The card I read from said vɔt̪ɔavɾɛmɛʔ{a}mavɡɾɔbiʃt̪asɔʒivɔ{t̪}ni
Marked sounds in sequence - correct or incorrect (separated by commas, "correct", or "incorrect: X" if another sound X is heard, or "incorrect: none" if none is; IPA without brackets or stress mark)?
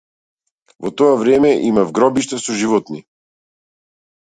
incorrect: i, correct